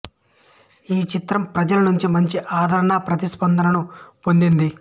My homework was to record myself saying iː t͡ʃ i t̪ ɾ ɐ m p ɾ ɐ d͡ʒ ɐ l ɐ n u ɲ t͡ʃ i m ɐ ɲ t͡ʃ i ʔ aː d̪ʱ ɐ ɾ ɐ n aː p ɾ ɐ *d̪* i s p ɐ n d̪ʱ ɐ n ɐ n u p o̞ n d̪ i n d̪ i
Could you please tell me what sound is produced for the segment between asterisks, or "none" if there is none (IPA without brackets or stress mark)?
t̪